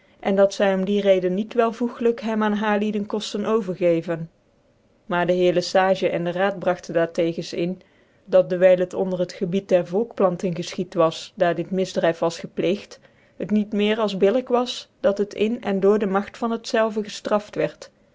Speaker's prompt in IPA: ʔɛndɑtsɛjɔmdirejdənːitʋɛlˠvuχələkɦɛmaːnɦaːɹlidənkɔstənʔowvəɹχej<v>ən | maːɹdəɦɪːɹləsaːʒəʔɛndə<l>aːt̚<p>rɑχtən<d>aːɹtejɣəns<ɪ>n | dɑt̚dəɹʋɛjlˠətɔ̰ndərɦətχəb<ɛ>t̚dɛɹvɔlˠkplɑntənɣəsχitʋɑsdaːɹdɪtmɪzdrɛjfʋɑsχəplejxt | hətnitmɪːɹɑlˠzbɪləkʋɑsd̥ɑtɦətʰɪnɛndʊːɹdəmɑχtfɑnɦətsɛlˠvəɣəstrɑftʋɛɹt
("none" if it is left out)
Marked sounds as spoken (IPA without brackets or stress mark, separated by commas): v, r, b, d, ɪ, i